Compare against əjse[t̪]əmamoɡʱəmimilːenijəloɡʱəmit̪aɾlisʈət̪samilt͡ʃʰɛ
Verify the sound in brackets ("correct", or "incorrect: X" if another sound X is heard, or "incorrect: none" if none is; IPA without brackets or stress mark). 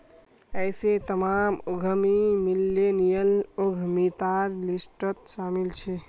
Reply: correct